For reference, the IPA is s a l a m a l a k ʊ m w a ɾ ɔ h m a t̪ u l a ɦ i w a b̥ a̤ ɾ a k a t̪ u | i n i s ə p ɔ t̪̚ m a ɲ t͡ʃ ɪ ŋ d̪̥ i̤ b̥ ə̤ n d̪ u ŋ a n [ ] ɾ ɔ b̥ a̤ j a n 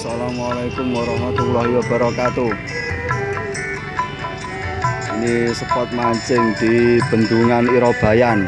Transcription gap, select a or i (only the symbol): i